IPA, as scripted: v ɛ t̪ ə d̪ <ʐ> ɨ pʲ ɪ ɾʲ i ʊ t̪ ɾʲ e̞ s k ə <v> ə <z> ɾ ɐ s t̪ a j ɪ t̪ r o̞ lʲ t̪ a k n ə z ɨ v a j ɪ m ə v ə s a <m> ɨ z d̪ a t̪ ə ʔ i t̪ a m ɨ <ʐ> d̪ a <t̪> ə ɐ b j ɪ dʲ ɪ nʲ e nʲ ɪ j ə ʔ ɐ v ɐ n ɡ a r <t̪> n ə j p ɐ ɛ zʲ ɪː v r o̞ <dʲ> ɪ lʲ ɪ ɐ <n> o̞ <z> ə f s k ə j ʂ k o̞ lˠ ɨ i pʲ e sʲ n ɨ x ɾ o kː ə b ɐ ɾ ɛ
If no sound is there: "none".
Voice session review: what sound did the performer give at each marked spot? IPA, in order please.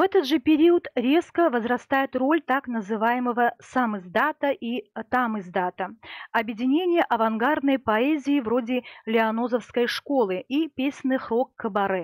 ʐ, v, z, m, z, t̪, d̪, dʲ, n, z

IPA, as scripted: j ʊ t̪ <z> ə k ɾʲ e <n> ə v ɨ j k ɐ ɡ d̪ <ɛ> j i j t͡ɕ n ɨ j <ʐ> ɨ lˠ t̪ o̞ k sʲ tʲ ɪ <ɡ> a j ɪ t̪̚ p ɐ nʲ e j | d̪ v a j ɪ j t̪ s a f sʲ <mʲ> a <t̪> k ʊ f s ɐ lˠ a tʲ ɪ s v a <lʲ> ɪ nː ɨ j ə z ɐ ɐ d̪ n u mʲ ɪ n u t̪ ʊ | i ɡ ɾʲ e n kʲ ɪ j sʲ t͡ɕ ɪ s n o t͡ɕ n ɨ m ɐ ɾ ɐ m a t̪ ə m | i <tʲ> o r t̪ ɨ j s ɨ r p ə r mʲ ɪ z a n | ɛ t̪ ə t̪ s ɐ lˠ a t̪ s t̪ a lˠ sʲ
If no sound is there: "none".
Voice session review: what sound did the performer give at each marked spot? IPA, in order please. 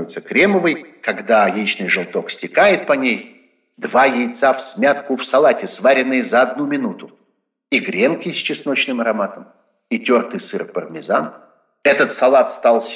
s, m, a, ʐ, k, mʲ, t̪, ɾʲ, tʲ

